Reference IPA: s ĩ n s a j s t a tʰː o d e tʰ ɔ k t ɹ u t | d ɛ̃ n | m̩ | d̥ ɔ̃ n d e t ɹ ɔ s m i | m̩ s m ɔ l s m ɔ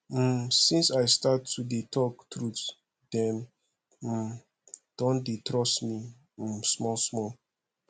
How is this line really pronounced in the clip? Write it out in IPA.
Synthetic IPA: s ĩ n s a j s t a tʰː u d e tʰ ɔ k t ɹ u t | d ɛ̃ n | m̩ | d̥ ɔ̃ n d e t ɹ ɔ s m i | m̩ s m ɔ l s m ɔ

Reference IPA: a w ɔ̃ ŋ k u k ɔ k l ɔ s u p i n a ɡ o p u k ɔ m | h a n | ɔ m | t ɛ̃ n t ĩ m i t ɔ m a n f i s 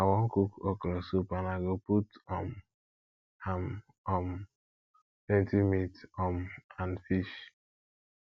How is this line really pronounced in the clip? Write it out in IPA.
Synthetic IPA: a w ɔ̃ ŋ k u k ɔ k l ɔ s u p a n a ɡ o p u t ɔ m | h a m | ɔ m | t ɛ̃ n t i m i t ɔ m a n f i ʃ

